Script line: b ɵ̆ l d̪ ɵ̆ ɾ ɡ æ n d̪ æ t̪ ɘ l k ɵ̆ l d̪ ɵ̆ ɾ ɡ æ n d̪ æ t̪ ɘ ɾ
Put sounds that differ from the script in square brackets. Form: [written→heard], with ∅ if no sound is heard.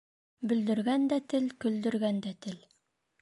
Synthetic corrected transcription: b ɵ̆ l d̪ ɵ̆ ɾ ɡ æ n d̪ æ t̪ ɘ l k ɵ̆ l d̪ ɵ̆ ɾ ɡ æ n d̪ æ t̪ ɘ [ɾ→l]